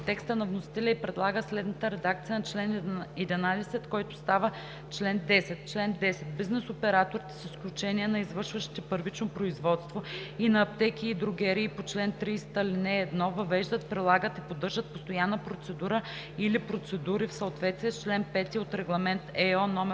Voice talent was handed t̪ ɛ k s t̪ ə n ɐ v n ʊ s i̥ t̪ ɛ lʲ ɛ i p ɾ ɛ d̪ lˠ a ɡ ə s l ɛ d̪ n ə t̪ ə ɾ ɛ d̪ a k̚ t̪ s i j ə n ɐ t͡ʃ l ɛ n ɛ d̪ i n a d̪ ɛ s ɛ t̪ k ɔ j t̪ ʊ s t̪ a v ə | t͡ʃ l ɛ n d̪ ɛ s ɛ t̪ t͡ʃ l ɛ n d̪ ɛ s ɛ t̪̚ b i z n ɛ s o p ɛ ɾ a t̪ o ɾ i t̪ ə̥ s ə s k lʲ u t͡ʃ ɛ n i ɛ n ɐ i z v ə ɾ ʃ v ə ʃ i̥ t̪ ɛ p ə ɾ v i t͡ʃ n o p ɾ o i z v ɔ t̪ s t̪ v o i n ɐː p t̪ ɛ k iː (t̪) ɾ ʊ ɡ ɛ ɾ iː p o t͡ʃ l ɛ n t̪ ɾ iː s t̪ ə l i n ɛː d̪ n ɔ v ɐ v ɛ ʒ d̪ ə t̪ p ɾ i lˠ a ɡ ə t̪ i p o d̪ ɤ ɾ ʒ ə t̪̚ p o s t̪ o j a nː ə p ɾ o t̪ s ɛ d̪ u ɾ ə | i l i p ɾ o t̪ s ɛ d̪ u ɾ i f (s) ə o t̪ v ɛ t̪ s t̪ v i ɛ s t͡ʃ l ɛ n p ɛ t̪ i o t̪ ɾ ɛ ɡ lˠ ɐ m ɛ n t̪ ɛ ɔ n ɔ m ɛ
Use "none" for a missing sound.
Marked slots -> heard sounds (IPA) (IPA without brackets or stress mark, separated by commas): d̪, s